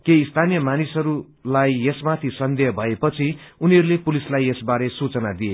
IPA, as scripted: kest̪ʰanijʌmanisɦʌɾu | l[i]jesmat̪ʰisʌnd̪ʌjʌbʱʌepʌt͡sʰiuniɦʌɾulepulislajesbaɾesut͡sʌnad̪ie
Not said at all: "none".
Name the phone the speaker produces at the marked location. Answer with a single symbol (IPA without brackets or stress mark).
a